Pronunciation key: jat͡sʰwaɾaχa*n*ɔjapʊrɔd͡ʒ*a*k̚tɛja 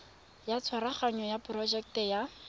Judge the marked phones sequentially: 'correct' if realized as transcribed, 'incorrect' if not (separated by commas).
incorrect, incorrect